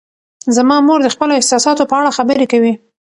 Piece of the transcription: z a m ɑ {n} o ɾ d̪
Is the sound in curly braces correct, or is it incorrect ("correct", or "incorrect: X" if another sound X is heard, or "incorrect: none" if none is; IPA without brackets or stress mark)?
incorrect: m